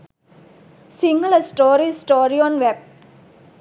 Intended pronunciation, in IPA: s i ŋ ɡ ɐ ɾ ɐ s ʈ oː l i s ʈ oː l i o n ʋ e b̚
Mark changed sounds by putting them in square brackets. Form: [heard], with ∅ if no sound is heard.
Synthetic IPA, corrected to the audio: s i ŋ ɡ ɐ [l] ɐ s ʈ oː [ɾ] i s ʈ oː [ɾ] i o n ʋ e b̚